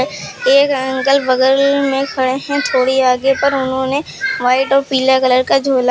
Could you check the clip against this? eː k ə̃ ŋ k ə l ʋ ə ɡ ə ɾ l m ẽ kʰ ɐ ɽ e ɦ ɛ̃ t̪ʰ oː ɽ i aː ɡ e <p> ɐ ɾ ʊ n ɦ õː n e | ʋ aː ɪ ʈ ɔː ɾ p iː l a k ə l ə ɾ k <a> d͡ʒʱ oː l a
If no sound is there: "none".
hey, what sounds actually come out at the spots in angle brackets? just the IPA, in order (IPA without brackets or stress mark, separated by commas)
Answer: p, a